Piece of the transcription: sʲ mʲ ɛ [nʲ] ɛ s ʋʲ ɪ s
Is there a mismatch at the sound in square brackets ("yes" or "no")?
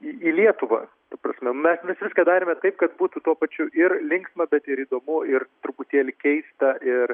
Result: yes